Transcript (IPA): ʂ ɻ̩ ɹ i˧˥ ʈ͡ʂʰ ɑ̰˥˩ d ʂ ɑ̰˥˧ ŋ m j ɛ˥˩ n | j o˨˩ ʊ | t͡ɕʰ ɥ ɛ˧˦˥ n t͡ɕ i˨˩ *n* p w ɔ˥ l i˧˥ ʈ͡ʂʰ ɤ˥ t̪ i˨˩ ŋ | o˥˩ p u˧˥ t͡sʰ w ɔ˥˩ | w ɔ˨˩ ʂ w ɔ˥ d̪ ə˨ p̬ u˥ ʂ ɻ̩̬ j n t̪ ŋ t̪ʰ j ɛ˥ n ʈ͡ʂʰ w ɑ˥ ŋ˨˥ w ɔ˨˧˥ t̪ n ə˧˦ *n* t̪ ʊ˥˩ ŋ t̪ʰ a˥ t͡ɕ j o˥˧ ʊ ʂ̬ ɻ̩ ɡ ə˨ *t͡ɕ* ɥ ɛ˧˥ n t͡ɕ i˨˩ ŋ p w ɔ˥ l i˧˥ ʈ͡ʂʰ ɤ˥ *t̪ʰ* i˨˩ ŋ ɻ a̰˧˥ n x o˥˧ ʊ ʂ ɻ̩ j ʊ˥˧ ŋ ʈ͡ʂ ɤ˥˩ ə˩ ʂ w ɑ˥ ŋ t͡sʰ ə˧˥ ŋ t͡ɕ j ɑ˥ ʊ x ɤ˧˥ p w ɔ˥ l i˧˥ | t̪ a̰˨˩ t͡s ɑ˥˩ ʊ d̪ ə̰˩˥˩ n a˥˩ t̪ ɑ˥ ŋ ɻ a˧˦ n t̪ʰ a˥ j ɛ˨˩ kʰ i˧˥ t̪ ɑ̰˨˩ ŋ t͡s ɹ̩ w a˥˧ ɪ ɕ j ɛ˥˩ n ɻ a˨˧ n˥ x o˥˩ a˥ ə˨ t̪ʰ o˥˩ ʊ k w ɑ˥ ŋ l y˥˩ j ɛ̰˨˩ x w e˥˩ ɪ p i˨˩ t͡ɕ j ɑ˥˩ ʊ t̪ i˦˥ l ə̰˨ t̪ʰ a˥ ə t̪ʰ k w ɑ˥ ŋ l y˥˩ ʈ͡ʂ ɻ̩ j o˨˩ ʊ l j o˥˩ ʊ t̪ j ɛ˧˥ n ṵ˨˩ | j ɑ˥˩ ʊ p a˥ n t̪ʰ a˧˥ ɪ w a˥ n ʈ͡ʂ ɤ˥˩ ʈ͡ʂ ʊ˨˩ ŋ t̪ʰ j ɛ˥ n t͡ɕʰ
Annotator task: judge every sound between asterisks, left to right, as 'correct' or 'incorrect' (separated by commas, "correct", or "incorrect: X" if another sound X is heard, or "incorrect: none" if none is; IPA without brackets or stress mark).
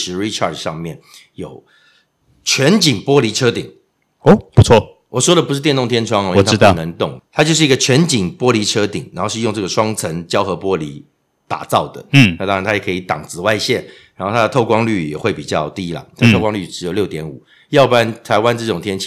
incorrect: ŋ, incorrect: ŋ, incorrect: t͡ɕʰ, incorrect: t̪